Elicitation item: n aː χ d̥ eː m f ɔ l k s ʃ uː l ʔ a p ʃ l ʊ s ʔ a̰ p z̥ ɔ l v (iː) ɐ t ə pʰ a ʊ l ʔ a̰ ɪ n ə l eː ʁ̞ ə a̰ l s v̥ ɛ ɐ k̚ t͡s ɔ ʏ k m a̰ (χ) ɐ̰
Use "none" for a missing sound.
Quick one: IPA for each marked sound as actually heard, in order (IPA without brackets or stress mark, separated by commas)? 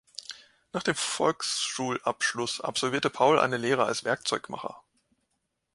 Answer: iː, χ